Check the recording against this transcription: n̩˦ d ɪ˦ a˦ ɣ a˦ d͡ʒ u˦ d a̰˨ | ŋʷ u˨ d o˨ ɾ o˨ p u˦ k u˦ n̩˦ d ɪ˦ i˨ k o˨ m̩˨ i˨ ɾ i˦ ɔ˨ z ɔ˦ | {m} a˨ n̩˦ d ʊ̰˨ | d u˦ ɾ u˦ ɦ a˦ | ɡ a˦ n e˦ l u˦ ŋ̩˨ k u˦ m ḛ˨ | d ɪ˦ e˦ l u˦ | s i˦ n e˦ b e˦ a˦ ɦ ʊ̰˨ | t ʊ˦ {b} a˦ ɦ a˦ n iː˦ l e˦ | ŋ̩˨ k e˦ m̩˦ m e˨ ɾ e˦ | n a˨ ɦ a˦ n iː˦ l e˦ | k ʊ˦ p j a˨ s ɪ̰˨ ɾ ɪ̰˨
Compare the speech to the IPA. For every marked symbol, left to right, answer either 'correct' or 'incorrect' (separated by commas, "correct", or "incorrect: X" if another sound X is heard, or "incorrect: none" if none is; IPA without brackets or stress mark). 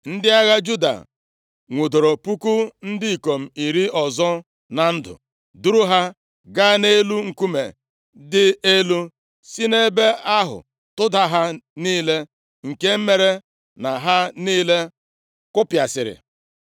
incorrect: n, incorrect: d